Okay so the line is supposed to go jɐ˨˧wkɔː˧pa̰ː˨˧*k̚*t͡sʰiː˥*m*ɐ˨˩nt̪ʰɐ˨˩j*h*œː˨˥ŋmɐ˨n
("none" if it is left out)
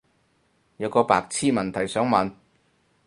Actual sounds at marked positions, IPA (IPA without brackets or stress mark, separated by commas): k̚, m, s